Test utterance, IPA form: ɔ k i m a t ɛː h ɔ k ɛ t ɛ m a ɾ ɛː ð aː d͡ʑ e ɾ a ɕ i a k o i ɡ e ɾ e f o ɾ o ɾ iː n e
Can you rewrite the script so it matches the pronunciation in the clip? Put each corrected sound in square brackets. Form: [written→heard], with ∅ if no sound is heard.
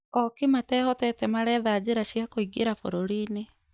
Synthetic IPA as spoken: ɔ k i m a t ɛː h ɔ [k→t] ɛ t ɛ m a ɾ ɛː ð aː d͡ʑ e ɾ a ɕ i a k o i ɡ e ɾ [e→a] f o ɾ o ɾ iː n e